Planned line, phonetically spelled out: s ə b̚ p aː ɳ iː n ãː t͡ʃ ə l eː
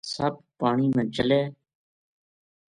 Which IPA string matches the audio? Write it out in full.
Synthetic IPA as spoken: s ə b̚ p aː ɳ iː m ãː t͡ʃ ə l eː